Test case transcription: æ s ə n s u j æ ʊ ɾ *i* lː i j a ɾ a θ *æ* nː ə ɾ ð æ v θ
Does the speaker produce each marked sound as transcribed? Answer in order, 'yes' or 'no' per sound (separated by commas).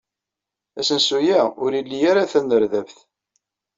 yes, yes